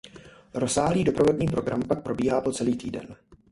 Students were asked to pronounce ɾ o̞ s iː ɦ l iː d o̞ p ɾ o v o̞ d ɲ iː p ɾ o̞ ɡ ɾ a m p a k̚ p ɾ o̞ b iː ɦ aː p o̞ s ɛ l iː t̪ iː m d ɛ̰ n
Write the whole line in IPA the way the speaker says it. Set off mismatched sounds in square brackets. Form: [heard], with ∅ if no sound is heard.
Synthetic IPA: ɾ o̞ s [aː] ɦ l iː d o̞ p ɾ o v o̞ d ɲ iː p ɾ o̞ ɡ ɾ a m p a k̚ p ɾ o̞ b iː ɦ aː p o̞ [t͡s] ɛ l iː t̪ iː [∅] d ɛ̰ n